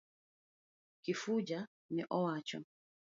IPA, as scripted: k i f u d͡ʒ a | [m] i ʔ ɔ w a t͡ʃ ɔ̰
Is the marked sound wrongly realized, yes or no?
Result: yes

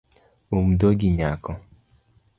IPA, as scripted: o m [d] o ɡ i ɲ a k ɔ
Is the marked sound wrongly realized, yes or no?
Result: no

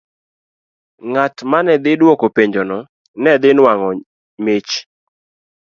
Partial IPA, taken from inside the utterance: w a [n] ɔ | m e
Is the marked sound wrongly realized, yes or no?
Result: yes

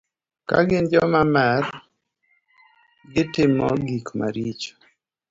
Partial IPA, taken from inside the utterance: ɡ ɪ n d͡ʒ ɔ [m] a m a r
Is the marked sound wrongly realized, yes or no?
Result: no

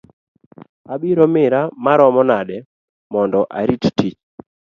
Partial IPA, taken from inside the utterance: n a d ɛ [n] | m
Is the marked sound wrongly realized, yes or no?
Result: yes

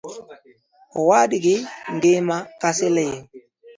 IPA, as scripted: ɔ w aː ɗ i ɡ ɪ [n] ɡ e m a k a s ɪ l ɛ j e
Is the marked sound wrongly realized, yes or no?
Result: yes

